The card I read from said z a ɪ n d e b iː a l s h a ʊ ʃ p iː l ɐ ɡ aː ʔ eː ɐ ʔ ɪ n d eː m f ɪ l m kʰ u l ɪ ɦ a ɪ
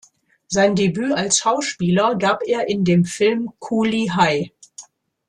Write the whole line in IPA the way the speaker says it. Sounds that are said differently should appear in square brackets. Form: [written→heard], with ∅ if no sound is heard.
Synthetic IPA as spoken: z a ɪ n d e b [iː→yː] a l s [h→ʃ] a ʊ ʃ p iː l ɐ ɡ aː [ʔ→p] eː ɐ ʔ ɪ n d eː m f ɪ l m kʰ u l [ɪ→i] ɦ a ɪ